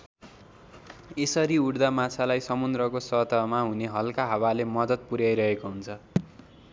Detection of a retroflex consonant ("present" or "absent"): present